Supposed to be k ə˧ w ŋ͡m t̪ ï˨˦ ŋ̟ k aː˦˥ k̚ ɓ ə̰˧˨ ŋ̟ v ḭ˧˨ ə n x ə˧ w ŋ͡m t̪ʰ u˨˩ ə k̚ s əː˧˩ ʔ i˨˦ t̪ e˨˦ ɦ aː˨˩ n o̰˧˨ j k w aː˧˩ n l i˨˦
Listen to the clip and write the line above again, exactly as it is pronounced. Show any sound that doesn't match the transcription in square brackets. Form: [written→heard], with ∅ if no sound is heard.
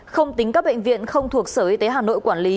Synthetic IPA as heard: [k→x] ə˧ w ŋ͡m t̪ ï˨˦ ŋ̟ k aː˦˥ k̚ ɓ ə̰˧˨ ŋ̟ v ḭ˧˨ ə n x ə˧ w ŋ͡m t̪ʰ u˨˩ ə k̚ s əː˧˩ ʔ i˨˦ t̪ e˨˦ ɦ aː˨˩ n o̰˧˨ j k w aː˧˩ n l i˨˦